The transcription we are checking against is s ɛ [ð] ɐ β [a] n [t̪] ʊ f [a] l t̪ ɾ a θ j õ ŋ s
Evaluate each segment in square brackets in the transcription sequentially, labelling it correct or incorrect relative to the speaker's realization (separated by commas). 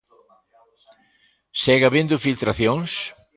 incorrect, incorrect, incorrect, incorrect